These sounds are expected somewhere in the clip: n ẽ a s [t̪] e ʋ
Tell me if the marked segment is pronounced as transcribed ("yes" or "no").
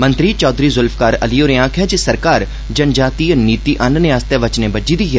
yes